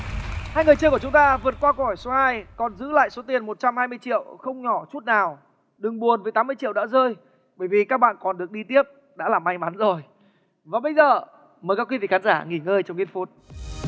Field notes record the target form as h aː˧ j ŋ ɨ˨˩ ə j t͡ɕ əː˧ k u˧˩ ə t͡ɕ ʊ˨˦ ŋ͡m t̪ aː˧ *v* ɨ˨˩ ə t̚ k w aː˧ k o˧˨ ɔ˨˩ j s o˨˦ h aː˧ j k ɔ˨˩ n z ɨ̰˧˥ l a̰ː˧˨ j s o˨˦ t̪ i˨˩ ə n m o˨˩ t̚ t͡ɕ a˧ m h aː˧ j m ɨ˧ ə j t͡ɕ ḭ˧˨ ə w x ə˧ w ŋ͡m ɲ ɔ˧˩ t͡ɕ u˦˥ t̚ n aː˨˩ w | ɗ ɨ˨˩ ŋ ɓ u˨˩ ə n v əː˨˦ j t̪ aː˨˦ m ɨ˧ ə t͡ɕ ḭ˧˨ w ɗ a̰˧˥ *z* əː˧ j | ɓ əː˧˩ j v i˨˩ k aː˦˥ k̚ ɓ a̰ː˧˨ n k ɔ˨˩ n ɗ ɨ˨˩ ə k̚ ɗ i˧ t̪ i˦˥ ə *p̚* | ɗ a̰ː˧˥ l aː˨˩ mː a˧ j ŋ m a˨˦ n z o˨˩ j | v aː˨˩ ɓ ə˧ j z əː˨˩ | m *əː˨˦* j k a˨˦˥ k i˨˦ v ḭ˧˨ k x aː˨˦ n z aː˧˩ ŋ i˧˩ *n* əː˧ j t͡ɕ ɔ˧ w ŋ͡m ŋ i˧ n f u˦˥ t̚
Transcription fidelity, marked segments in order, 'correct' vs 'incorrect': correct, correct, correct, incorrect: əː˨˩, incorrect: ŋ

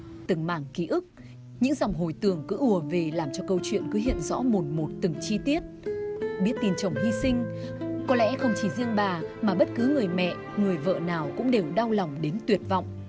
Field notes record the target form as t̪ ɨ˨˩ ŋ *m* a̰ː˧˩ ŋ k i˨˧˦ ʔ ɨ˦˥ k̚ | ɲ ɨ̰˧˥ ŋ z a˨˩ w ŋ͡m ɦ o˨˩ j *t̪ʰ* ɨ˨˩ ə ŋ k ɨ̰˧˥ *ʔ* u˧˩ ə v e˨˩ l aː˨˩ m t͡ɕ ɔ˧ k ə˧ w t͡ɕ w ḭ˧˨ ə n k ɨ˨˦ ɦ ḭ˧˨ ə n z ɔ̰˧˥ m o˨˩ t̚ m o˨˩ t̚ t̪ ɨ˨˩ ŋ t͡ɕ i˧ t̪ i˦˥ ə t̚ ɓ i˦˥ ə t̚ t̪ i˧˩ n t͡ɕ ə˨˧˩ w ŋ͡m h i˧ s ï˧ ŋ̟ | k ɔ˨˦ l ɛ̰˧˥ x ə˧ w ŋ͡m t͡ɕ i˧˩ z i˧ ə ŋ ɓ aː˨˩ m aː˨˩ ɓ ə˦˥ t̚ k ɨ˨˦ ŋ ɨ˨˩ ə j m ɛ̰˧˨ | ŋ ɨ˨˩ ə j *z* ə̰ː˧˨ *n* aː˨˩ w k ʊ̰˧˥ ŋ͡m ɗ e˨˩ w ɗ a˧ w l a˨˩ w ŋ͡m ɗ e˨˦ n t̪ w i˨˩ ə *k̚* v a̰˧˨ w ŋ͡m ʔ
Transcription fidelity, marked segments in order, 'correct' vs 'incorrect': correct, incorrect: t̪, correct, incorrect: v, correct, incorrect: t̚

